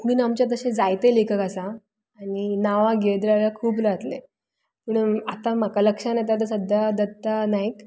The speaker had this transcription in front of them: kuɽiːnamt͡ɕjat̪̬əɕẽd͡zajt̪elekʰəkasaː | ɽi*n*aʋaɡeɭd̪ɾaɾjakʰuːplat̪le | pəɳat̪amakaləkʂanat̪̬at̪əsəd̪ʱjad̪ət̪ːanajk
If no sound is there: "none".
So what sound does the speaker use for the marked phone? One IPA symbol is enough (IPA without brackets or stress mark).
n